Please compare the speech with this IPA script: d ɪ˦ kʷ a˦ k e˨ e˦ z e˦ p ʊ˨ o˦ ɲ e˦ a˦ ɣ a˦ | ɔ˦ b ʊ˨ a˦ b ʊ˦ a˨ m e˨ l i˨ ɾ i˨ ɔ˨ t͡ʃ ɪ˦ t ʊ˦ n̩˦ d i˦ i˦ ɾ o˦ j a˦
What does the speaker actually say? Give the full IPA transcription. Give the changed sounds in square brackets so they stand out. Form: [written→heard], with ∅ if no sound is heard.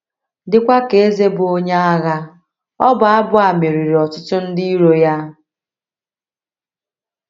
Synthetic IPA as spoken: d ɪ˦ kʷ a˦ k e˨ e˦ z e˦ [p→b] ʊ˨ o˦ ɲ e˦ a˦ ɣ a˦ | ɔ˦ b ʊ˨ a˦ b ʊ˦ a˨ m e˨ [l→ɾ] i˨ ɾ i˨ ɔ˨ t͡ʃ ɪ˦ t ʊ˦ n̩˦ d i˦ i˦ ɾ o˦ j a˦